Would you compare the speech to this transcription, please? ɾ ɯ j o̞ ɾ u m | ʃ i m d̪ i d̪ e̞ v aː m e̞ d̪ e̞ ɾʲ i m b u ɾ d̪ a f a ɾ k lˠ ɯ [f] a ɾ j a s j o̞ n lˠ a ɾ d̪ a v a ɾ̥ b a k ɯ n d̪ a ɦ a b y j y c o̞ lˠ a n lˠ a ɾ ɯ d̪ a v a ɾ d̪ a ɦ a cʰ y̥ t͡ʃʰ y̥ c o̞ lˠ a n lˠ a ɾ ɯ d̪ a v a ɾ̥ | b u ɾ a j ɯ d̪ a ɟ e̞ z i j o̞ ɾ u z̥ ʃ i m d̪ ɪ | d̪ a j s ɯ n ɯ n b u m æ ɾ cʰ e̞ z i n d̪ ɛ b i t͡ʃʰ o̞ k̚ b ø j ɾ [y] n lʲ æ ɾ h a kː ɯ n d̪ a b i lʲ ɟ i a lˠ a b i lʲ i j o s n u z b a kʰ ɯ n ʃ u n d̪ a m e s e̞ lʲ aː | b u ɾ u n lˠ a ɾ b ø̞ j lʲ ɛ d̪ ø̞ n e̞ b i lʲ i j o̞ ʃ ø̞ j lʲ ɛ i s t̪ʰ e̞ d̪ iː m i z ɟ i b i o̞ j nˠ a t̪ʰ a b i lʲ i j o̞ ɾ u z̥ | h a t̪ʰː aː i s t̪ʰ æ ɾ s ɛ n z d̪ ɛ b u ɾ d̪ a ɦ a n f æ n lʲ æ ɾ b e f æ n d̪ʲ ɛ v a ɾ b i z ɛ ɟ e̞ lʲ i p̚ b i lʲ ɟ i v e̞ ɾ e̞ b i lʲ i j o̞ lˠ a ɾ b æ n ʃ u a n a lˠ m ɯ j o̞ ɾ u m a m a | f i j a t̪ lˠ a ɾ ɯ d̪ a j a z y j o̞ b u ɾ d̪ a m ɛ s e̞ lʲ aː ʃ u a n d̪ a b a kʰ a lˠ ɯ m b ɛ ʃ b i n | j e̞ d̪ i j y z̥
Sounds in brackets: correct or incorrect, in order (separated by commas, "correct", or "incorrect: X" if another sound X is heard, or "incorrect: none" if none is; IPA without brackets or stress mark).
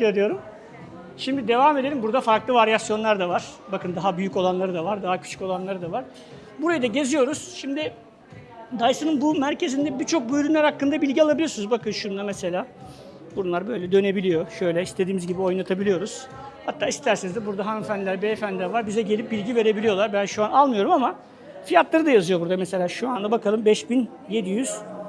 incorrect: v, correct